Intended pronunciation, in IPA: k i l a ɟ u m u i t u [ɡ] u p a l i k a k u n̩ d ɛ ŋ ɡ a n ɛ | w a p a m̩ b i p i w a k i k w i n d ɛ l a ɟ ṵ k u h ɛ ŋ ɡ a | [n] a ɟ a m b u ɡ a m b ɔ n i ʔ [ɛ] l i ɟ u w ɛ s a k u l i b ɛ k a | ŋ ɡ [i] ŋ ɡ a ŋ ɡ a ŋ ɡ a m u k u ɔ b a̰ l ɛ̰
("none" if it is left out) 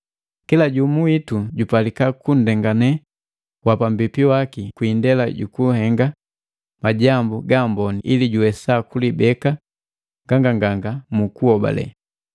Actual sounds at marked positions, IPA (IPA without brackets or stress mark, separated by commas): ɟ, m, i, a